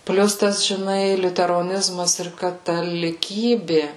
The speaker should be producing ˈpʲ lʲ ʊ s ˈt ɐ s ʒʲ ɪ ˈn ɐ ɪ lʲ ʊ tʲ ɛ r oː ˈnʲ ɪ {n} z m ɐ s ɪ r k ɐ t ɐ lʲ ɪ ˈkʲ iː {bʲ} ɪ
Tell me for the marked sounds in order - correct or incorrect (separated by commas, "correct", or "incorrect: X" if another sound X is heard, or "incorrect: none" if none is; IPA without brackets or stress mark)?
incorrect: none, correct